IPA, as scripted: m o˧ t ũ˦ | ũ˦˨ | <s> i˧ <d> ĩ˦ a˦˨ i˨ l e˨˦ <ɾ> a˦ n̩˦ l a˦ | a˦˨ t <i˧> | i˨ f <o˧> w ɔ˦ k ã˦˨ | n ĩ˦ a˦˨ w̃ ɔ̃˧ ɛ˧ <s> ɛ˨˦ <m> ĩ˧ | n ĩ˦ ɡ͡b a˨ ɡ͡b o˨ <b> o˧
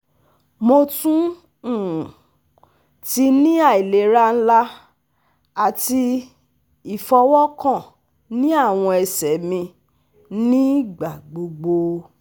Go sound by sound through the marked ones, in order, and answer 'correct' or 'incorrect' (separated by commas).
incorrect, incorrect, correct, correct, incorrect, correct, correct, incorrect